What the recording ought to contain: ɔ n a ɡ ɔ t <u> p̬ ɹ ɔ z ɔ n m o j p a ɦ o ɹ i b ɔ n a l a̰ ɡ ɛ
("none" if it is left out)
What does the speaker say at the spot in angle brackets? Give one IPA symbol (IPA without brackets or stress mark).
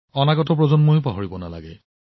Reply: ɔ